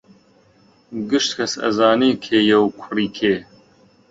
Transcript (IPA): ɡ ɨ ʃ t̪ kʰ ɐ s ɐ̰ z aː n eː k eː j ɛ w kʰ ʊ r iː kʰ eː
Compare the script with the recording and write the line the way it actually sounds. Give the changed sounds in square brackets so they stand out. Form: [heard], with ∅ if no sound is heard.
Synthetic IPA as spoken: ɡ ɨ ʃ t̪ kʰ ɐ s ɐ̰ z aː n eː [kʰ] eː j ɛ w kʰ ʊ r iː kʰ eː